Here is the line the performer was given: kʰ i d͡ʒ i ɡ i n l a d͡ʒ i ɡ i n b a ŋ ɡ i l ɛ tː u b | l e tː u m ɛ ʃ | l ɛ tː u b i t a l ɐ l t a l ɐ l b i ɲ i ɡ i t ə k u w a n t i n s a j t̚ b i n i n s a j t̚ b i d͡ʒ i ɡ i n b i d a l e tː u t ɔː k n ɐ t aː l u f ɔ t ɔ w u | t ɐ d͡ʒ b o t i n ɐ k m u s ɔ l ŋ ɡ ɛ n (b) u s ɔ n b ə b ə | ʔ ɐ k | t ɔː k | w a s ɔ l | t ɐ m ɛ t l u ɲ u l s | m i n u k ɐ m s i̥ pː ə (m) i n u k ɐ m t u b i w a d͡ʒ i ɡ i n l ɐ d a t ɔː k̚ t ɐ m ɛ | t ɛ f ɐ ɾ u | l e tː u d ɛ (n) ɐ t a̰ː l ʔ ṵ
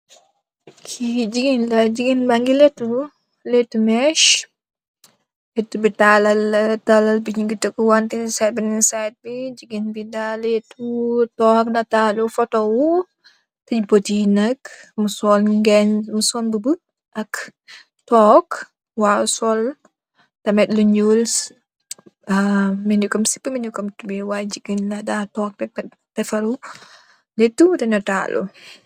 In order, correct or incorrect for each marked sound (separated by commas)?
incorrect, correct, correct